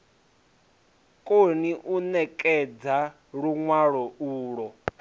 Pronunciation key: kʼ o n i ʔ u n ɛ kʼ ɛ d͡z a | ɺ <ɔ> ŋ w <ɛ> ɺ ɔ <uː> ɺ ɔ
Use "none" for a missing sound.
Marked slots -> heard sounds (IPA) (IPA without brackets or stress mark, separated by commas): u, a, uː